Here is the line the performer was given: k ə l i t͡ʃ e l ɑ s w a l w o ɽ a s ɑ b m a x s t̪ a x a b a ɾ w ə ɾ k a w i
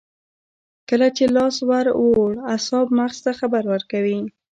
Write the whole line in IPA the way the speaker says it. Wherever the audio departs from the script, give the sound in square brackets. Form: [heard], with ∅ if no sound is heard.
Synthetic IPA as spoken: k ə l [a] t͡ʃ e l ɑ s w a [ɾ] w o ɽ a s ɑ b m a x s t̪ a x a b a ɾ w ə ɾ k a w i